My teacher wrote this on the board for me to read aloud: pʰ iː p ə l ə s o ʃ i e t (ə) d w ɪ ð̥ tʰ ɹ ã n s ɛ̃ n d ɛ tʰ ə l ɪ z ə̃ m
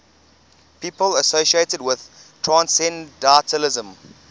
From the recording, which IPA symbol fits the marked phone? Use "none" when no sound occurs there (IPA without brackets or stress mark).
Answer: ə